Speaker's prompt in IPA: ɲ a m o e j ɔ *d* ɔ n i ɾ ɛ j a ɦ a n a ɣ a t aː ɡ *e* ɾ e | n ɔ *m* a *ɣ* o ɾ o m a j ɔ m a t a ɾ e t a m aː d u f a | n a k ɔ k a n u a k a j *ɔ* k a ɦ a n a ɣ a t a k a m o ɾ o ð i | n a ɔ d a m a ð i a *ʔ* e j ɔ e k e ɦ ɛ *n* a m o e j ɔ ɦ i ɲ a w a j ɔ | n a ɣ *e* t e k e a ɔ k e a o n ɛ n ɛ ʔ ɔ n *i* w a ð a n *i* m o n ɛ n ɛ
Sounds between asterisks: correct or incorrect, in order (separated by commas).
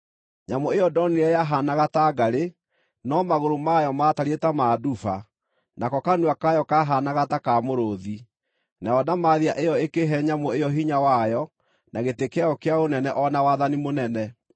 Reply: correct, incorrect, correct, correct, correct, correct, incorrect, correct, incorrect, correct